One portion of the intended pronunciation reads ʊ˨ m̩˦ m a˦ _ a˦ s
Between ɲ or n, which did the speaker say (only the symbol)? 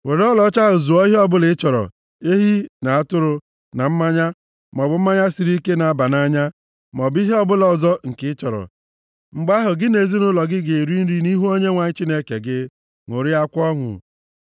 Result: ɲ